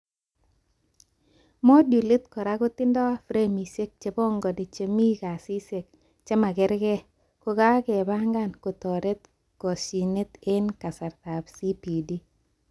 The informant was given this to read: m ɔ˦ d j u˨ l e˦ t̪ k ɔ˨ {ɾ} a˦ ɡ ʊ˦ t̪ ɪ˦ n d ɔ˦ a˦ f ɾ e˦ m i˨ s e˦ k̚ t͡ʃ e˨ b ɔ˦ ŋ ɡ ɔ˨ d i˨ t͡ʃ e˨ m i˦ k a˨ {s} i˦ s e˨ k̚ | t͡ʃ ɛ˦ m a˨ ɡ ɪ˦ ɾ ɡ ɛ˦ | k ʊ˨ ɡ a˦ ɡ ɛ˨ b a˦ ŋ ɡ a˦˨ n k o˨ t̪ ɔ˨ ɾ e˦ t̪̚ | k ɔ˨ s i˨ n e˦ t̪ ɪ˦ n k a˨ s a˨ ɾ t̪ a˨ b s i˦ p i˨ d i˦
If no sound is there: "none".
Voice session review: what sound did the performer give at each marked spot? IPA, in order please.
ɾ, s

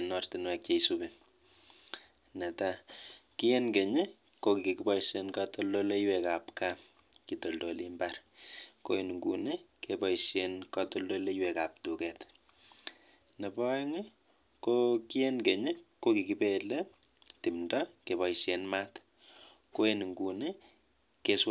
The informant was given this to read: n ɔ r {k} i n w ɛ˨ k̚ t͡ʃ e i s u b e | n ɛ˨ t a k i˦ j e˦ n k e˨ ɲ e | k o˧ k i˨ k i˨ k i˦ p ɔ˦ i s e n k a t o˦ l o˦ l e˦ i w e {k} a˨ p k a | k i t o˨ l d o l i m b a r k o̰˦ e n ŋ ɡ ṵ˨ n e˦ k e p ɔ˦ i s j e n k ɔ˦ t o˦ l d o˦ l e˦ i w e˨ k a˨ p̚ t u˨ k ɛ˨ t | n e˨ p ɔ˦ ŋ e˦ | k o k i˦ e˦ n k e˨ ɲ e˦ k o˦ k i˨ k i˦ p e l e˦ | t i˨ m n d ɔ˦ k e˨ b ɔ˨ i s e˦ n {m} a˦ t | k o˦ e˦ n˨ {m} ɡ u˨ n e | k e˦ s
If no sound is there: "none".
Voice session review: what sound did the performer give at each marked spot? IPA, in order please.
t, k, m, ŋ

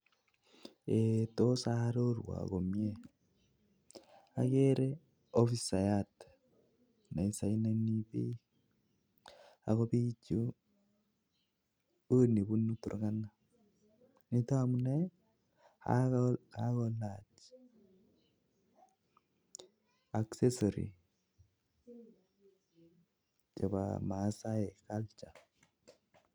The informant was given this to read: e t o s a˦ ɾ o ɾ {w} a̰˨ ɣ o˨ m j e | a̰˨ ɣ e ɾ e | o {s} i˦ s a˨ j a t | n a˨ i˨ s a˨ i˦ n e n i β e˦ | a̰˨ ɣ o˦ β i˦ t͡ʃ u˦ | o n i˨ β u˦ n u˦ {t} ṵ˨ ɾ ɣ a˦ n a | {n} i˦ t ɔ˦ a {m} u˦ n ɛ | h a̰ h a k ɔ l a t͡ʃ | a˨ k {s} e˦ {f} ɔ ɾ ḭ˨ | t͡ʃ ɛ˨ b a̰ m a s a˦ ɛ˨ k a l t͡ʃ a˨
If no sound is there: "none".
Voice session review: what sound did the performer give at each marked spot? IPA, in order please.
w, f, t, n, m, s, s

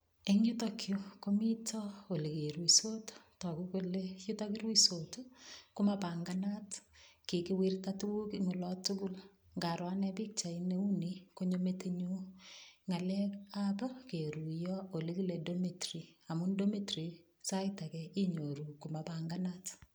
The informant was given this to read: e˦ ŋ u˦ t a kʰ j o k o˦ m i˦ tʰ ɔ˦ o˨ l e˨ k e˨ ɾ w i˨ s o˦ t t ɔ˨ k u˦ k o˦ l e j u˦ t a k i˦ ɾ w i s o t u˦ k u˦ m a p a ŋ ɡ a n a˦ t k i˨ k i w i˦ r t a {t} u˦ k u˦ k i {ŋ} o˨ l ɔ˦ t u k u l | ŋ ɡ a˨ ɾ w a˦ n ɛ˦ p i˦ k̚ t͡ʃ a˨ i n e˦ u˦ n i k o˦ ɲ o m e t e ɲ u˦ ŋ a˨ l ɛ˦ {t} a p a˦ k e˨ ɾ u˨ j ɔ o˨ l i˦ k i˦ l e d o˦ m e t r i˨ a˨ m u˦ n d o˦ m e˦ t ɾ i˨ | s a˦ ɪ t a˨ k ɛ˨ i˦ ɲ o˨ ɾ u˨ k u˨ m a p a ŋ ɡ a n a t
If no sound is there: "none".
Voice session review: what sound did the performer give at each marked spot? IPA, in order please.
t, ŋ, k

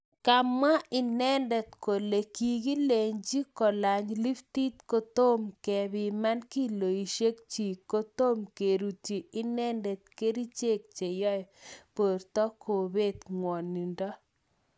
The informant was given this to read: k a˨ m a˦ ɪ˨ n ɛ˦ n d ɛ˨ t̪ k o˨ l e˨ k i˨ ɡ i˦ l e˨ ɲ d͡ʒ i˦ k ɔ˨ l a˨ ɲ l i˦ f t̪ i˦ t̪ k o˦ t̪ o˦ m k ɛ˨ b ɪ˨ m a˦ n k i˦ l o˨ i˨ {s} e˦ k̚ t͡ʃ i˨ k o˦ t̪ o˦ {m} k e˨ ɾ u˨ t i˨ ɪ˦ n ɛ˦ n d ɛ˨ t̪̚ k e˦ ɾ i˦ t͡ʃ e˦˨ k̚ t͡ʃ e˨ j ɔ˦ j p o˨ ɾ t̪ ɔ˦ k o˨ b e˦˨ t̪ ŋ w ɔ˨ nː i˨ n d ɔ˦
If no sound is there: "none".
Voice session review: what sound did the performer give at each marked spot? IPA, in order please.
ʃ, m

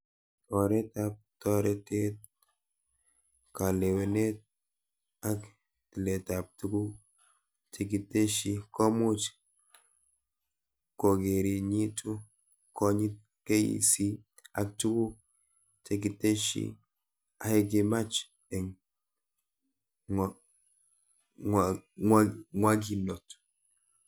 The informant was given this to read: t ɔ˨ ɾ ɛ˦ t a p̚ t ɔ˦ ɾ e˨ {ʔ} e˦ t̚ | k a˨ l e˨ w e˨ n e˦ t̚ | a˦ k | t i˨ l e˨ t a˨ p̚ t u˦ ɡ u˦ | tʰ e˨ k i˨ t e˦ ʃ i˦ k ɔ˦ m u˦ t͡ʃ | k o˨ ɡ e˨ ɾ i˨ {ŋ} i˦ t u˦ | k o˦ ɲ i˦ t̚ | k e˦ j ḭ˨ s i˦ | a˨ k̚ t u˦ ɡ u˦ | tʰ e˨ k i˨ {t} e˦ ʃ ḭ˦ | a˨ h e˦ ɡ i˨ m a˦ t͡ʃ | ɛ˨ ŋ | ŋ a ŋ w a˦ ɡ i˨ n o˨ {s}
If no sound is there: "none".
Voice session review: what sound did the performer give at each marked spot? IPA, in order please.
t, ɲ, t, t

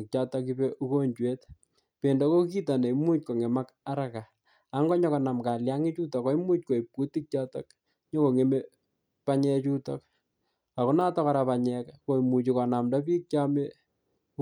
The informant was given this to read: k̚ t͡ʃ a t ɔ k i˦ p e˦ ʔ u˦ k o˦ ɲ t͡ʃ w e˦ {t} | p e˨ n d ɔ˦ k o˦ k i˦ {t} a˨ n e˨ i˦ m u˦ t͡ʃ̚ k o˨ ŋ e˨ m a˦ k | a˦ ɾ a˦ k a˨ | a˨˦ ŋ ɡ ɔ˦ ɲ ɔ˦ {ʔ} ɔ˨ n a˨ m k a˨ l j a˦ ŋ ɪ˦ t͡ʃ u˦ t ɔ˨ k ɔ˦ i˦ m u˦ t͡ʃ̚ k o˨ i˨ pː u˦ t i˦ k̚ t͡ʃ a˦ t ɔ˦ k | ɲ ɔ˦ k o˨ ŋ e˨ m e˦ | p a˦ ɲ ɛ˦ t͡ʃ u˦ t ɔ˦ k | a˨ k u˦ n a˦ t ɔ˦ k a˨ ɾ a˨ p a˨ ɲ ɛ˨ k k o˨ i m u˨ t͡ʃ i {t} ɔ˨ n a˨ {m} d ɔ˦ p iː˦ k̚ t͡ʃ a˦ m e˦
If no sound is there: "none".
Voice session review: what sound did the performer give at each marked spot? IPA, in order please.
t, t, k, k, m

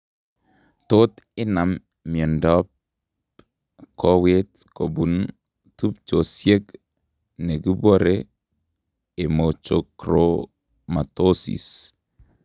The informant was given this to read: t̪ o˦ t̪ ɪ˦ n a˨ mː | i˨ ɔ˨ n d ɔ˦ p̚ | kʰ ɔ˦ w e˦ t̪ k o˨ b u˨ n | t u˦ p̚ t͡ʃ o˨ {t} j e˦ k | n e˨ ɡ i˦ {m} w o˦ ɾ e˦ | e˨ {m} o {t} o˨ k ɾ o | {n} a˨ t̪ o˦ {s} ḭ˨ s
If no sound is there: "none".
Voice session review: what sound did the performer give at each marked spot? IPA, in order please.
s, b, m, t͡ʃ, m, s

